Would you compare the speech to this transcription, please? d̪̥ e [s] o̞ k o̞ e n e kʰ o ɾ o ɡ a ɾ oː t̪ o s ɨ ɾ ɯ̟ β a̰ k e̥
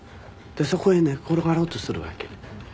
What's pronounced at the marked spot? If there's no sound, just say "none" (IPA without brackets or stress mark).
s